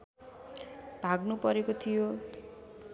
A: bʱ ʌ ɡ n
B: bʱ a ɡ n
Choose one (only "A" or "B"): B